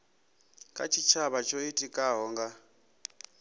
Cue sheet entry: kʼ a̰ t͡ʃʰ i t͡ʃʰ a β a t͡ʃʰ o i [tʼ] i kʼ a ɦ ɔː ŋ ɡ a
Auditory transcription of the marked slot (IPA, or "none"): tʼ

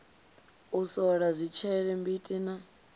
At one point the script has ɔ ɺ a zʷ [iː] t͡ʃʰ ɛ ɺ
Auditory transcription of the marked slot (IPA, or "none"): i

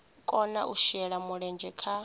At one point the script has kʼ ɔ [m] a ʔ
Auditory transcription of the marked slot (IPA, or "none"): n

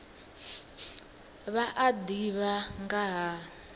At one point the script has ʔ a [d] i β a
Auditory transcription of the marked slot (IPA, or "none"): d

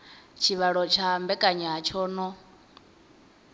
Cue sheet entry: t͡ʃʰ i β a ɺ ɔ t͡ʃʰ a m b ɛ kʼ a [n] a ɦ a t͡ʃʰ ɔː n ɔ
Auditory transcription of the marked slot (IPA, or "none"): ɲ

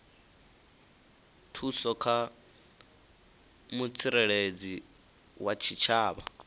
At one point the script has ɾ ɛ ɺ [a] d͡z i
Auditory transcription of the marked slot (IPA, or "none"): e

